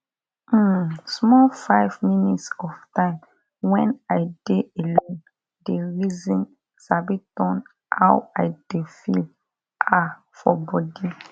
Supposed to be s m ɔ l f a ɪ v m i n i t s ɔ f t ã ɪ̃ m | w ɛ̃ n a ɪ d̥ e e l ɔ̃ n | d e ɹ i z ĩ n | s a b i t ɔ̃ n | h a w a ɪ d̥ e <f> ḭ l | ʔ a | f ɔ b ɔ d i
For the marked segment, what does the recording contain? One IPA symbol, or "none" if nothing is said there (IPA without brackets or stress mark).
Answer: f